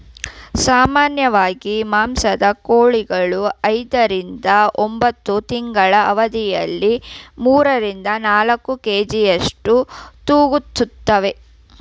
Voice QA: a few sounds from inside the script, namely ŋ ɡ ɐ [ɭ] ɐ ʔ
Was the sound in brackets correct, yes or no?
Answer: yes